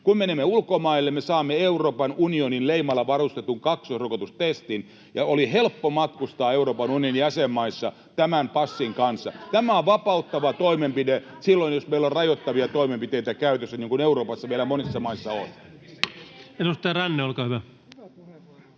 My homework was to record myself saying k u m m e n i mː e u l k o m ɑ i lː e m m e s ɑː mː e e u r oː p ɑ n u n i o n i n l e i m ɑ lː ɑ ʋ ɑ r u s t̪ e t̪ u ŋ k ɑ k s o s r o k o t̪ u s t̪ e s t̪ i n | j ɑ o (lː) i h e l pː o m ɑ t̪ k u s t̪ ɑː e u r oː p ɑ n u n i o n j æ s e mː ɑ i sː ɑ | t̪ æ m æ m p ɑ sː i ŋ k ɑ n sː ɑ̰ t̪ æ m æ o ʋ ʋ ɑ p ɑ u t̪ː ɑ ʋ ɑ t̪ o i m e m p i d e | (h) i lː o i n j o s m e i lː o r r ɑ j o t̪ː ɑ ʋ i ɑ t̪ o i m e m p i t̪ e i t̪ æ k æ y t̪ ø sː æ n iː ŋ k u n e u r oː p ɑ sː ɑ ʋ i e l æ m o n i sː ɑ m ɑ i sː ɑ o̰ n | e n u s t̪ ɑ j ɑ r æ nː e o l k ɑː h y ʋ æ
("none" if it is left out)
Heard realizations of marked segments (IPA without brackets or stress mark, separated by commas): l, s